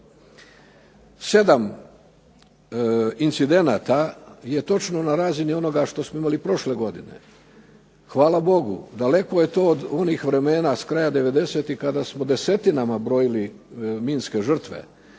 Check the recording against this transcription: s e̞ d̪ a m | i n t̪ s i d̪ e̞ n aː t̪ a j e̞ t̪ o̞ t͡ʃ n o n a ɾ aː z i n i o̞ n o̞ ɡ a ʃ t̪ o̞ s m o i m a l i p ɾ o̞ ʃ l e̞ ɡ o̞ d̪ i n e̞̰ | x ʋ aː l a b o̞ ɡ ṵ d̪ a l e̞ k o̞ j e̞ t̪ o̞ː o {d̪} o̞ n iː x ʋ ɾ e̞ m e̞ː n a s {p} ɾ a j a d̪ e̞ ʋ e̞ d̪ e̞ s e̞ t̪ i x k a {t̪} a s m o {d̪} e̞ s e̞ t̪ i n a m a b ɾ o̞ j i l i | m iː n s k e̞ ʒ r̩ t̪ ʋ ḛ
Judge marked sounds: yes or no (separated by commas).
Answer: yes, no, no, yes